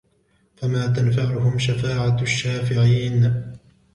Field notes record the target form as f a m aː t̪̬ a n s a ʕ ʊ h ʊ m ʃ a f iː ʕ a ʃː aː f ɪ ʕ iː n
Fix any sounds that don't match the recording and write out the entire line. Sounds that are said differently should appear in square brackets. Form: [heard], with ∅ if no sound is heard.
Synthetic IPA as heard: f a m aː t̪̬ a n [f] a ʕ ʊ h ʊ m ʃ a f [aː] ʕ a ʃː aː f ɪ ʕ iː n